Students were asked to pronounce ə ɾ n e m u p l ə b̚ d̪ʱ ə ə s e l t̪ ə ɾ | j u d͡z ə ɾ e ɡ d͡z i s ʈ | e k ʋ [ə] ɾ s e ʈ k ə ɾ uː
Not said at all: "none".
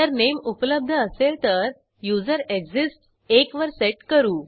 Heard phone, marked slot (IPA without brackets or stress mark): ə